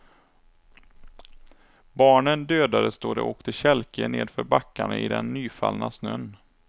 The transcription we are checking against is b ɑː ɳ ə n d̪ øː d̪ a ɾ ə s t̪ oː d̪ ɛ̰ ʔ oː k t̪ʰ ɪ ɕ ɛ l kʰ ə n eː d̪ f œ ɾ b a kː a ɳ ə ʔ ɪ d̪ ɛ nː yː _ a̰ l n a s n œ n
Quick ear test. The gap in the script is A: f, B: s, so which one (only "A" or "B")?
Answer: A